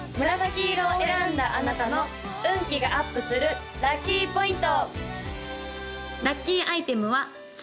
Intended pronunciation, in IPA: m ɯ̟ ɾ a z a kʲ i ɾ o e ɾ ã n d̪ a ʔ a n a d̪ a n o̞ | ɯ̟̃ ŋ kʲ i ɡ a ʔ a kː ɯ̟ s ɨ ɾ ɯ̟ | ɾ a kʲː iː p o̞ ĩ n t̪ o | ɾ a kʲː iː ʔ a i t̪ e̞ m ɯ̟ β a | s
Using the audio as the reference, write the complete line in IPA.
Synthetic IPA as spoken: m ɯ̟ ɾ a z a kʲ i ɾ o e ɾ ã n d̪ a ʔ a n a t̪ a n o̞ | ɯ̟̃ ŋ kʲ i ɡ a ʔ a pː ɯ̟ s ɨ ɾ ɯ̟ | ɾ a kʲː iː p o̞ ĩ n t̪ o | ɾ a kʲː iː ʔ a i t̪ e̞ m ɯ̟ β a | s